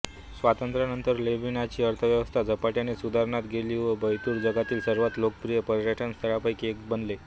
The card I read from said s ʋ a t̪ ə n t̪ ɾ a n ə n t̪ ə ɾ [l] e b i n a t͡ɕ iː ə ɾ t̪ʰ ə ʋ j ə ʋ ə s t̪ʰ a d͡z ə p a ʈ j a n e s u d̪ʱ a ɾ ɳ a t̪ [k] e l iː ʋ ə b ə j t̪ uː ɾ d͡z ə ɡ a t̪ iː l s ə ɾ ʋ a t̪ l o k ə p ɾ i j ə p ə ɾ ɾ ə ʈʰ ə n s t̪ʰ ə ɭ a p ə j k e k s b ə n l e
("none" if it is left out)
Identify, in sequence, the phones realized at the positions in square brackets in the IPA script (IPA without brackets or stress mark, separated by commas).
l, ɡ